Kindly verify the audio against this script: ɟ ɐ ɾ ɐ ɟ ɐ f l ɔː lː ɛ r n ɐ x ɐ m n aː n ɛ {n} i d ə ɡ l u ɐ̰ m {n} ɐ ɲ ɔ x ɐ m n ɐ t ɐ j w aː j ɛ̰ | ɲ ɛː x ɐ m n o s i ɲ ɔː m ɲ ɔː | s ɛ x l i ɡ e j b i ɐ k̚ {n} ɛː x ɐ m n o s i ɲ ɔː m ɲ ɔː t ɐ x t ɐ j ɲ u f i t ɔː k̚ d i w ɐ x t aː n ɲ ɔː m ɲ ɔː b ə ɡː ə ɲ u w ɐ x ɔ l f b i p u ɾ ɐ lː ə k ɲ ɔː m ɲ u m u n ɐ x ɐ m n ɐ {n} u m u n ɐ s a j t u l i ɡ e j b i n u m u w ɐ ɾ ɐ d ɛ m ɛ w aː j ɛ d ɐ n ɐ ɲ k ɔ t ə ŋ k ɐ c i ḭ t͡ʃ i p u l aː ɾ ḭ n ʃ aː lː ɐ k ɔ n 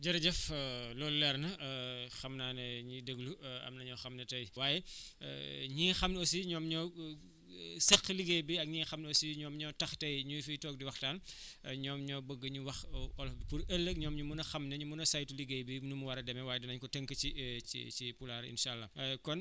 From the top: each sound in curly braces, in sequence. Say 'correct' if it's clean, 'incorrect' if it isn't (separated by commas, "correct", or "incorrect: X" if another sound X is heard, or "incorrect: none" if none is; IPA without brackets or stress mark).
incorrect: ɲ, correct, incorrect: ɲ, incorrect: ɲ